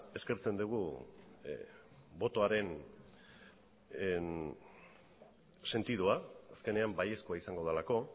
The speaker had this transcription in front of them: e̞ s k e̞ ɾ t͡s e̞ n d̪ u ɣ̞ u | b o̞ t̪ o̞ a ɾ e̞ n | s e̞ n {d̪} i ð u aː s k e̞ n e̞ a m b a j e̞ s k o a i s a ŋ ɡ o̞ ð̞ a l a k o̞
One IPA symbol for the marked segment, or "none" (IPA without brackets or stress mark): t̪